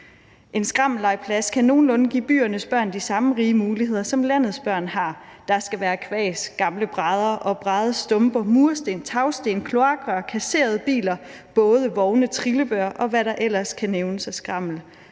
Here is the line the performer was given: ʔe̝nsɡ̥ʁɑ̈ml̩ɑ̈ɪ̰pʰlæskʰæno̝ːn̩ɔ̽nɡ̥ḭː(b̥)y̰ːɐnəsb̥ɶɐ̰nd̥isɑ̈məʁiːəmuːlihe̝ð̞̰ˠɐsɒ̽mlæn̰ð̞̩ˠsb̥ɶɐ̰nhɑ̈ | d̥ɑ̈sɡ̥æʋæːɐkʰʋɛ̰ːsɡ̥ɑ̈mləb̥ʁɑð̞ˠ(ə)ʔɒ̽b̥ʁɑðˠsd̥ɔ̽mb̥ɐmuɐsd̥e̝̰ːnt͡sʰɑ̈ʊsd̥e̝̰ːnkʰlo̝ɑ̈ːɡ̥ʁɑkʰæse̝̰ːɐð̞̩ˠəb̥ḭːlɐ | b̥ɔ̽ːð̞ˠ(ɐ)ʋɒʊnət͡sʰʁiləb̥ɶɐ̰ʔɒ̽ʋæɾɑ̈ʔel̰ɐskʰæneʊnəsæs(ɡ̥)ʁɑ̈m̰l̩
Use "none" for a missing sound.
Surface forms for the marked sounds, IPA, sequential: b̥, ɐ, ə, ɡ̥

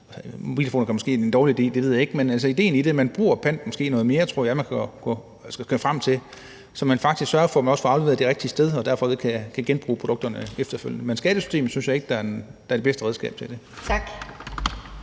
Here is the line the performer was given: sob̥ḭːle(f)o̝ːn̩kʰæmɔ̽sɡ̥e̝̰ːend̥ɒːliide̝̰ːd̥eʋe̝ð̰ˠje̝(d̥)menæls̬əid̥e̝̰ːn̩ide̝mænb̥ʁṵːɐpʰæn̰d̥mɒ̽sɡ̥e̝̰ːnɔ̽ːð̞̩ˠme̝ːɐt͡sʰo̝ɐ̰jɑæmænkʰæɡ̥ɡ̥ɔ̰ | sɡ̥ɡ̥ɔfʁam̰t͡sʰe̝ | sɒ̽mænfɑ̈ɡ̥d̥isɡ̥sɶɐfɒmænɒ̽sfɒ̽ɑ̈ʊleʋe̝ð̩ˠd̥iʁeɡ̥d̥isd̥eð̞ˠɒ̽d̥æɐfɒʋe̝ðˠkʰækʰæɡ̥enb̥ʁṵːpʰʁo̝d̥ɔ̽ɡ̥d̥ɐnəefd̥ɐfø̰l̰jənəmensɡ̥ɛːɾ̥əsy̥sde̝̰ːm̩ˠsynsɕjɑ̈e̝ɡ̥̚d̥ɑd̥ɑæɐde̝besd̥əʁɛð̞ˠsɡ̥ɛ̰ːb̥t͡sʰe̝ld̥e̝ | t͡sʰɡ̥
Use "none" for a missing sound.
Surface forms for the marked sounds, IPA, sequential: f, ɡ̥

